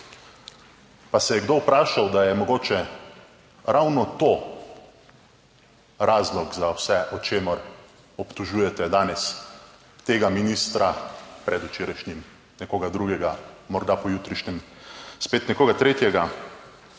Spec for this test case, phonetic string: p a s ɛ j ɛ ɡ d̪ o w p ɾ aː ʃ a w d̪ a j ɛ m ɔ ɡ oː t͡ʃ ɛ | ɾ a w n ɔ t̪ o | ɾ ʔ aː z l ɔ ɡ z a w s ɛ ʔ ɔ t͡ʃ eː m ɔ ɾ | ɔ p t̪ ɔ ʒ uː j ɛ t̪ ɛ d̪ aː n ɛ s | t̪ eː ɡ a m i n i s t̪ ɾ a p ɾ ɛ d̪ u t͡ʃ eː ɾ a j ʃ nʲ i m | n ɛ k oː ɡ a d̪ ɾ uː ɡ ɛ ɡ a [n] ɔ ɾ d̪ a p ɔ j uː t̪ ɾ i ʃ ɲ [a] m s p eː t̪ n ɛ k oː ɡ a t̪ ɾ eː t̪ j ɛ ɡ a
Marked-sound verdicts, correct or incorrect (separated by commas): incorrect, incorrect